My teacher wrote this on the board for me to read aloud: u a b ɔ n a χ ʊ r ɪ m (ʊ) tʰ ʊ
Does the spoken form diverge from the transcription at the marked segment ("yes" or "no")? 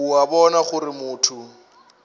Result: yes